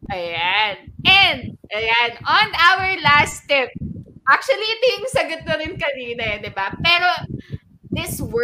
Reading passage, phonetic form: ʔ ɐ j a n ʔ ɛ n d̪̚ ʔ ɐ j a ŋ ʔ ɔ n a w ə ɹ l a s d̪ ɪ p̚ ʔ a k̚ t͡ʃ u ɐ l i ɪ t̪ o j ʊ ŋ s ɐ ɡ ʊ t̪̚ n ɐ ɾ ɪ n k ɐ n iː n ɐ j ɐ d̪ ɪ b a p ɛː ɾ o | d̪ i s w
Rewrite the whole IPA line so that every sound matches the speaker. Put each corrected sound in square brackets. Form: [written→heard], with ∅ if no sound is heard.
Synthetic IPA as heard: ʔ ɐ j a n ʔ ɛ n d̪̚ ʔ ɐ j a [ŋ→n] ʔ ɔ n a w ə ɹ l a s [d̪→t̪] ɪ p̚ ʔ a k̚ t͡ʃ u ɐ l i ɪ t̪ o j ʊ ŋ s ɐ ɡ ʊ t̪̚ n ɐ ɾ ɪ n k ɐ n iː n ɐ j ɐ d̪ ɪ b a p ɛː ɾ o | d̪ [i→ɪ] s w